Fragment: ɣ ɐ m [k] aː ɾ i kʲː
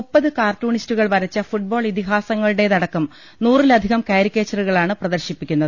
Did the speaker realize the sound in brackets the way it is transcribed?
yes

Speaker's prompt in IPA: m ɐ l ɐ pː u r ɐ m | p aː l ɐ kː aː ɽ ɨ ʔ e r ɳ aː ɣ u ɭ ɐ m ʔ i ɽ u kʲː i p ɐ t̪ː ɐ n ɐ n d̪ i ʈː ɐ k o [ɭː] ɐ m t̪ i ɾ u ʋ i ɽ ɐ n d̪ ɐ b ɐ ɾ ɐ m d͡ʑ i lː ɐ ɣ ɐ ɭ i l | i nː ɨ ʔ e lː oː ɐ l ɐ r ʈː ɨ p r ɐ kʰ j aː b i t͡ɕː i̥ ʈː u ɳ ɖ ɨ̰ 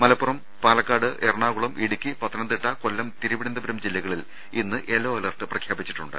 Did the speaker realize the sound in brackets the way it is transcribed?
no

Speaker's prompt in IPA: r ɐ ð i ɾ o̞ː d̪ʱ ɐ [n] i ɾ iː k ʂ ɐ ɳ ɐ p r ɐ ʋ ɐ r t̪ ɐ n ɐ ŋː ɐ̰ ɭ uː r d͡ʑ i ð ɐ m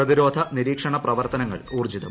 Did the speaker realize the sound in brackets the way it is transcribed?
yes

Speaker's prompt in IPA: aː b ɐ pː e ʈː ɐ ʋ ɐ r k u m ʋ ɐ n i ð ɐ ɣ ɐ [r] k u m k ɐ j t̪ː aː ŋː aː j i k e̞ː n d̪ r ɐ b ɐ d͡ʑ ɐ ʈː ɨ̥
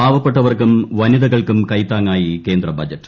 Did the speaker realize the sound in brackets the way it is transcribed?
no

